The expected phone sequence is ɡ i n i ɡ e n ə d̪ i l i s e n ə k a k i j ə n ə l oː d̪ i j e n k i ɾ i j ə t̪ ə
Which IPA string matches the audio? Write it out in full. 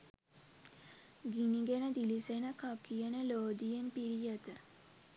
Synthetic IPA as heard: ɡ i n i ɡ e n ə d̪ i l i s e n ə k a k i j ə n ə l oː d̪ i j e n p i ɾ i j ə t̪ ə